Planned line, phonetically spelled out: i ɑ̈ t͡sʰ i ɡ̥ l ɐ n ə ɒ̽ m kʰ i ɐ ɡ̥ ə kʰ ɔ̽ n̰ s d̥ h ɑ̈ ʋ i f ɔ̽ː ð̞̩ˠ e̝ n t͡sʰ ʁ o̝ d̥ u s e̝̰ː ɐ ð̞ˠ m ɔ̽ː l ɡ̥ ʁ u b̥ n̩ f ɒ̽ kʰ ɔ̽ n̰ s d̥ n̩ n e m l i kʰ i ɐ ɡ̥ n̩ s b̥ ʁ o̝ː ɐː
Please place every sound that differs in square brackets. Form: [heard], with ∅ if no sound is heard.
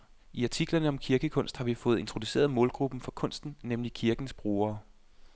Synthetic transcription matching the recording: i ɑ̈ t͡sʰ i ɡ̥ l ɐ n ə ɒ̽ m kʰ i ɐ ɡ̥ ə kʰ ɔ̽ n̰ s d̥ h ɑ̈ ʋ i f ɔ̽ː ð̞̩ˠ e̝ n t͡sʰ ʁ o̝ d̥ u s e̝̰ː ɐ ð̞ˠ m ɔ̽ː l ɡ̥ ʁ u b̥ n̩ f ɒ̽ kʰ ɔ̽ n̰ s d̥ n̩ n e m l i kʰ i ɐ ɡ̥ n̩ s b̥ ʁ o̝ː ɐː

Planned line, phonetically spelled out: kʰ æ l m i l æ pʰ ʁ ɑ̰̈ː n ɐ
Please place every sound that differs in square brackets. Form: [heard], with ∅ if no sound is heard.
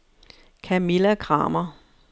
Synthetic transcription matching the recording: kʰ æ [∅] m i l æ [kʰ] ʁ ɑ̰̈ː [m] ɐ

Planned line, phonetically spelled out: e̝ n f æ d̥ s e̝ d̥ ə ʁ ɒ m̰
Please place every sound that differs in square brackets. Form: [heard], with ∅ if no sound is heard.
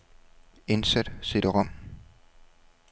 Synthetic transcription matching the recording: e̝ n [s] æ d̥ s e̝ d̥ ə ʁ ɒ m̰

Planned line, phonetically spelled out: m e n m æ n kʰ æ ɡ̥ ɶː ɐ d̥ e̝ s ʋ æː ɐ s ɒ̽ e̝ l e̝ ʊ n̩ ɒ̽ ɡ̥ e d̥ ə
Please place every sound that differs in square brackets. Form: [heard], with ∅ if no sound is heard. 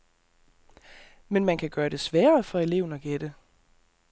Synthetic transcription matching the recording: m e n m æ n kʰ æ ɡ̥ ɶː ɐ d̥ e̝ s ʋ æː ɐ [f] ɒ̽ e̝ l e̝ ʊ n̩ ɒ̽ ɡ̥ e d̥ ə

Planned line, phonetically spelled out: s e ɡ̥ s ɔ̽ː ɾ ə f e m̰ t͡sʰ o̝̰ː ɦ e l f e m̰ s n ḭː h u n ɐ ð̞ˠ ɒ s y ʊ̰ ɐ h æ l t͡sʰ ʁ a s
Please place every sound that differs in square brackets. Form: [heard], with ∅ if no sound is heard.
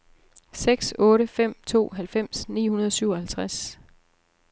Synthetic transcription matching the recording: s e ɡ̥ s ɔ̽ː ɾ ə f e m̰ t͡sʰ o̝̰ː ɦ [æ] l f e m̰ s n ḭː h u n ɐ ð̞ˠ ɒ s y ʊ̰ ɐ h æ l t͡sʰ ʁ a s

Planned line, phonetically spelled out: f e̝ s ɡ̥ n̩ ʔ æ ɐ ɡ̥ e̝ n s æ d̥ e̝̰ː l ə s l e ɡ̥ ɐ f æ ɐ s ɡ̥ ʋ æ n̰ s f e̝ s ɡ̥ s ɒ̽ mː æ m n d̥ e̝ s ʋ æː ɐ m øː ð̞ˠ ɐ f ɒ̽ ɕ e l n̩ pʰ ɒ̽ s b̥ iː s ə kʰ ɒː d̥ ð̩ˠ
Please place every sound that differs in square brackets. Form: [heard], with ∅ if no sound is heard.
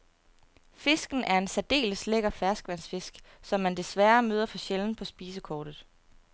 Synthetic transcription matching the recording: f e̝ s ɡ̥ n̩ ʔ æ ɐ [∅] e̝ n s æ d̥ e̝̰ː l ə s l e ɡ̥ ɐ f æ ɐ s ɡ̥ ʋ æ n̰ s f e̝ s ɡ̥ s ɒ̽ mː æ [∅] n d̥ e̝ s ʋ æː ɐ m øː ð̞ˠ ɐ f ɒ̽ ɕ e l n̩ pʰ ɒ̽ s b̥ iː s ə kʰ ɒː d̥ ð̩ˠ

